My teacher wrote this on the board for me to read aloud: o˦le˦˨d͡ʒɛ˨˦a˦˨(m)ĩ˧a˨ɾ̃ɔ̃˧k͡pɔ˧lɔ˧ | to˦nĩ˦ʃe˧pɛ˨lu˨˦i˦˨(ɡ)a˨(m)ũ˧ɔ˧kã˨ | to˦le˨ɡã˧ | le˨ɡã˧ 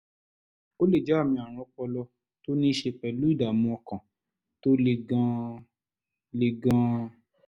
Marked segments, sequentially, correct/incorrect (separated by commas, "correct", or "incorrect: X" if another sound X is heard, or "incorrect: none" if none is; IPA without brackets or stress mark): correct, incorrect: d, correct